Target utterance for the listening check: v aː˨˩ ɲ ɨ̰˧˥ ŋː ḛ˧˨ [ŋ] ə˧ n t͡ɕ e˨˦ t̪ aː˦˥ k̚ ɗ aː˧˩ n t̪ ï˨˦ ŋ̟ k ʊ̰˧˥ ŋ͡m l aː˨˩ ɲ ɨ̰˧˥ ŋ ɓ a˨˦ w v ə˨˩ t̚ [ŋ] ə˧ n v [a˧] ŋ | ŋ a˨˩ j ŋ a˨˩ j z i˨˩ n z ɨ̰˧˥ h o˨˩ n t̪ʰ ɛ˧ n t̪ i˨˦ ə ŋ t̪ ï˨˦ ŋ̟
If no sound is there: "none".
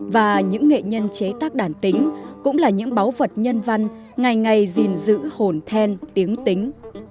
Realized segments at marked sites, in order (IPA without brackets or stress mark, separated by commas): ɲ, ɲ, a˧